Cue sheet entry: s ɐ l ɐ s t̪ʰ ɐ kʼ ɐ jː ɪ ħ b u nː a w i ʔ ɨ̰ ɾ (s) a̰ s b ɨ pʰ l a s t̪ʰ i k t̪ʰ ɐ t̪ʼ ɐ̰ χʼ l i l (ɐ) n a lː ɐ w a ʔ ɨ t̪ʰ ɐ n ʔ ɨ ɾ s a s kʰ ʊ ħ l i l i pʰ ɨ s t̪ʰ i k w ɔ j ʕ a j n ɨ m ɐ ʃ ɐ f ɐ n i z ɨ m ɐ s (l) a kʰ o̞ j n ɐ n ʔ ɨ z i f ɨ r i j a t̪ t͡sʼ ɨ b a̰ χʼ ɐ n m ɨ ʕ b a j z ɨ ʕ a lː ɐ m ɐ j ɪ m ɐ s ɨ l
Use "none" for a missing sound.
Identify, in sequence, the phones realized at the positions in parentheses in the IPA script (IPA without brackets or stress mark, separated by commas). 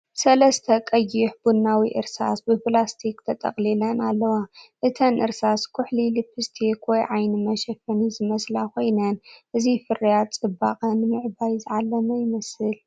s, ɐ, l